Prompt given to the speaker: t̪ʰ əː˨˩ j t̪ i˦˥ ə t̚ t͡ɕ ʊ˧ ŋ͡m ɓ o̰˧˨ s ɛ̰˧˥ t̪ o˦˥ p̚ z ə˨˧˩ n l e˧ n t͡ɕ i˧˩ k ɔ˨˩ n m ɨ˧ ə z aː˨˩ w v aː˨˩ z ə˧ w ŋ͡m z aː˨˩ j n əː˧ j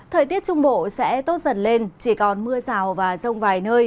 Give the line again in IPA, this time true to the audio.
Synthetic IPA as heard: t̪ʰ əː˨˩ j t̪ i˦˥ ə t̚ t͡ɕ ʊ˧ ŋ͡m ɓ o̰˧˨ s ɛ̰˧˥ t̪ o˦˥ t̚ z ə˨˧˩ n l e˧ n t͡ɕ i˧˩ k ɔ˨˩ n m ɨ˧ ə z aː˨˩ w v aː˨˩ z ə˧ w ŋ͡m v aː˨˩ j n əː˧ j

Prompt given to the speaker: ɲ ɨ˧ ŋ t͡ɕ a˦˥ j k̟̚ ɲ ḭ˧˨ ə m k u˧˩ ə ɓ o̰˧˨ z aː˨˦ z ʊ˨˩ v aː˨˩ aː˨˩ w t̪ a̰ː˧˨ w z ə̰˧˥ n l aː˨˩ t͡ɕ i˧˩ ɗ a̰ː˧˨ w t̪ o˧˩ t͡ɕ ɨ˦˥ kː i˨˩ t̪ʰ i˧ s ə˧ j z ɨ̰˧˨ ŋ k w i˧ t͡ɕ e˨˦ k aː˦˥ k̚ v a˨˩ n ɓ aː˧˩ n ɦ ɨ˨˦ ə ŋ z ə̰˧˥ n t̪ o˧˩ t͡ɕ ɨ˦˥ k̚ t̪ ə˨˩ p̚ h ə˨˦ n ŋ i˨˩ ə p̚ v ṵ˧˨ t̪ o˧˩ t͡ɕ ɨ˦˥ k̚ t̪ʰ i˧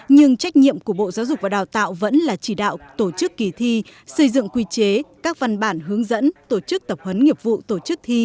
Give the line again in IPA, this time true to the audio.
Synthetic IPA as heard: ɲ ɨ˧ ŋ t͡ɕ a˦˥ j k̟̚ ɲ ḭ˧˨ ə m k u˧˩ ə ɓ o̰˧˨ z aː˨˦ z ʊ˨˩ v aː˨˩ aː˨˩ w t̪ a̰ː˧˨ w v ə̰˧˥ n l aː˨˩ t͡ɕ i˧˩ ɗ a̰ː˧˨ w t̪ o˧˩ t͡ɕ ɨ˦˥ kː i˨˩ t̪ʰ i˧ s ə˧ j z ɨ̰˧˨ ŋ k w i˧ t͡ɕ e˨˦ k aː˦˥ k̚ v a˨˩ n ɓ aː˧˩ n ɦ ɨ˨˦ ə ŋ z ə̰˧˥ n t̪ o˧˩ t͡ɕ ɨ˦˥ k̚ t̪ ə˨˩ p̚ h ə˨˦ n ŋ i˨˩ ə p̚ v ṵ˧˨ t̪ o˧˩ t͡ɕ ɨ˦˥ k̚ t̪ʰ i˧

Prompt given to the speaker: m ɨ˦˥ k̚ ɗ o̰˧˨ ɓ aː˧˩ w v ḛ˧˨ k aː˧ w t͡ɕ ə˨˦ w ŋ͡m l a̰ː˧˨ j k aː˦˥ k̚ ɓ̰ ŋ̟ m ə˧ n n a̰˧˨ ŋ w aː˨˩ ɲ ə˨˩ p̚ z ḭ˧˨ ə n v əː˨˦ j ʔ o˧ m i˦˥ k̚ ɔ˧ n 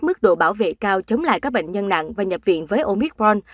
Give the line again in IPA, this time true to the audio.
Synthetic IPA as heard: m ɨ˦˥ k̚ ɗ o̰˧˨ ɓ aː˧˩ w v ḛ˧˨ k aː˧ w t͡ɕ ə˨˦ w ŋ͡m l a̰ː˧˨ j k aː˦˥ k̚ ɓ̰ ŋ̟ ɲ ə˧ n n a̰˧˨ ŋ v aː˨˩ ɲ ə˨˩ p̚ v ḭ˧˨ ə n v əː˨˦ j ʔ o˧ m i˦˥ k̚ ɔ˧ n

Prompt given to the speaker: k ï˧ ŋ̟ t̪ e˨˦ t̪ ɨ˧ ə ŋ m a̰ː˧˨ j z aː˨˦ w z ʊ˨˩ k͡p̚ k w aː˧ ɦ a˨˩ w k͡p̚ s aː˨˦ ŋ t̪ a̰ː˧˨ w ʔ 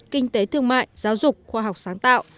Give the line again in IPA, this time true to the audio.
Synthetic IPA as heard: k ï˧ ŋ̟ t̪ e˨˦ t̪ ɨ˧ ə ŋ m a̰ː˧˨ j z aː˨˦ w z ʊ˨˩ k͡p̚ x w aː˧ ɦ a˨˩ w k͡p̚ s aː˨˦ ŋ t̪ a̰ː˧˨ w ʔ

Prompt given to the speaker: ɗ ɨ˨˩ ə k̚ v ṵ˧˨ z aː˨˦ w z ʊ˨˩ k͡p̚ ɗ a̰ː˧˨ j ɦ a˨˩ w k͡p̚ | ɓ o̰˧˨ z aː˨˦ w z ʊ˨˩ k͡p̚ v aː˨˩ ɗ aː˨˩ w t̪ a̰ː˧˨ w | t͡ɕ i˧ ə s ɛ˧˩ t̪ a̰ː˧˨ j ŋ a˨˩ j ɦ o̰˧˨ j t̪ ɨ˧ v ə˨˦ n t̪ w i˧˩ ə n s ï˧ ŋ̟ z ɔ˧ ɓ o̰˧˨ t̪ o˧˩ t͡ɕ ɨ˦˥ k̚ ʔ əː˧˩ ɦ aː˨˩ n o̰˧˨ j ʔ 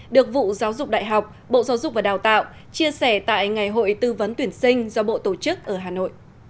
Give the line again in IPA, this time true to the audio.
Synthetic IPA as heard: ɗ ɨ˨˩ ə k̚ v ṵ˧˨ z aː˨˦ w z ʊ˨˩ k͡p̚ ɗ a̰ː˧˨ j ɦ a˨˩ w k͡p̚ | ɓ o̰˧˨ z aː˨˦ w z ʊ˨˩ k͡p̚ v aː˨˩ ɗ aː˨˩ w t̪ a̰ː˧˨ w | t͡ɕ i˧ ə s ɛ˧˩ t̪ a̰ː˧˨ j ŋ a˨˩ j ɦ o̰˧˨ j t̪ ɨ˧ v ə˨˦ n t̪ w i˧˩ ə n s ï˧ ŋ̟ z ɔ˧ ɓ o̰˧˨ t̪ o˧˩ t͡ɕ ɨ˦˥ k̚ ʔ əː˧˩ ɦ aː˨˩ n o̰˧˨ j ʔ

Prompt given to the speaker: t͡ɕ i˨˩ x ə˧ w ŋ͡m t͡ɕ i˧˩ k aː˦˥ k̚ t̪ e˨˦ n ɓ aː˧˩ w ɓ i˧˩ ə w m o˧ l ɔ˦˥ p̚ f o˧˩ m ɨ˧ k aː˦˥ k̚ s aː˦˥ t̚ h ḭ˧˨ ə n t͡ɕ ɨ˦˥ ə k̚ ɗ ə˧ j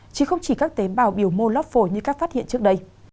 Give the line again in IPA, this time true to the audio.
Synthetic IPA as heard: t͡ɕ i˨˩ x ə˧ w ŋ͡m t͡ɕ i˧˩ k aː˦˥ k̚ t̪ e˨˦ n ɓ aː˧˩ w ɓ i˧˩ ə w m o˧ l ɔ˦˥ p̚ f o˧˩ ɲ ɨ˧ k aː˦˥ k̚ f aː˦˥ t̚ h ḭ˧˨ ə n t͡ɕ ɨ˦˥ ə k̚ ɗ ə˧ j

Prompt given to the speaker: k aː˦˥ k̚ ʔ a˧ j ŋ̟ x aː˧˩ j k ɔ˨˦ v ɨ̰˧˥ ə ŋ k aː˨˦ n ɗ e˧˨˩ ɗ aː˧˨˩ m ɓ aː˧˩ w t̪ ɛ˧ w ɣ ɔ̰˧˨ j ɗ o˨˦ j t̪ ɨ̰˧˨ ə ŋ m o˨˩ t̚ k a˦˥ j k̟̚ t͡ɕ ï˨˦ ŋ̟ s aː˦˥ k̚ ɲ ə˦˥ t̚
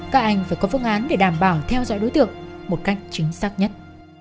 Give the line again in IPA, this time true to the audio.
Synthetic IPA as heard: k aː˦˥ k̚ ʔ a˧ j ŋ̟ f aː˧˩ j k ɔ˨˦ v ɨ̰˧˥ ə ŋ ʔ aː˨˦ n ɗ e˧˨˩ ɗ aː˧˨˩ m ɓ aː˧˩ w t̪ʰ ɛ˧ w z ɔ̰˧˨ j ɗ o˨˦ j t̪ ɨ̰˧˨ ə ŋ m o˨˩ t̚ k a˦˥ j k̟̚ t͡ɕ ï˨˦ ŋ̟ s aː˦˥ k̚ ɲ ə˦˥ t̚

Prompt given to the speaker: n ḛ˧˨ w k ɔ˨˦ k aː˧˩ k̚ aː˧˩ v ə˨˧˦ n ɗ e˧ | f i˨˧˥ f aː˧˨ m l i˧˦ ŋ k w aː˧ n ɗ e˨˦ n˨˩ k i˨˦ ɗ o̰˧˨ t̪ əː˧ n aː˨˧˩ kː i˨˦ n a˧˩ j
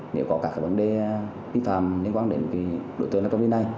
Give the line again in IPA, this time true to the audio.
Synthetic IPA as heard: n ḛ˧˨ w k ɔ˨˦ k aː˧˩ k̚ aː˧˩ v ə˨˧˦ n ɗ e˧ | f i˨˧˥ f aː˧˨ m l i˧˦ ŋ k w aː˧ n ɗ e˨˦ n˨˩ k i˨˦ ɗ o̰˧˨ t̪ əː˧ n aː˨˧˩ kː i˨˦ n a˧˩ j

